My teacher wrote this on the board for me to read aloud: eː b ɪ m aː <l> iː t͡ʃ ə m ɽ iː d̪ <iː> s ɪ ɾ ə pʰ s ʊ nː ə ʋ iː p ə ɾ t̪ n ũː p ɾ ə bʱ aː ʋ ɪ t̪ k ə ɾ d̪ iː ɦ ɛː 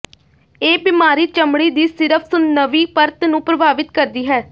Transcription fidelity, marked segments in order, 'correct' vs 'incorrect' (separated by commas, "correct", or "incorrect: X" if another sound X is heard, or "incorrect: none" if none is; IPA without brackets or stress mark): incorrect: ɾ, correct